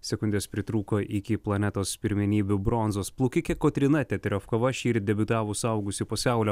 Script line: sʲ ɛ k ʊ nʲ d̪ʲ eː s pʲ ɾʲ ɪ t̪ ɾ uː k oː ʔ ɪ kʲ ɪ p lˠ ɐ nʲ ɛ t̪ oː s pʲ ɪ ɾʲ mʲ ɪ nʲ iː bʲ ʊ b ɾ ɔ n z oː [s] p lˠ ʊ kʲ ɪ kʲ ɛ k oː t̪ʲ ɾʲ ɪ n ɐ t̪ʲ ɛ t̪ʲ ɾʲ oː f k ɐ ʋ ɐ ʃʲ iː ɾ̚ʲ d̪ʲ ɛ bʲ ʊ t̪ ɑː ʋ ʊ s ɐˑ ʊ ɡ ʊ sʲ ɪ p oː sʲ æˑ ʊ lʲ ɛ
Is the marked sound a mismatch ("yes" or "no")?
no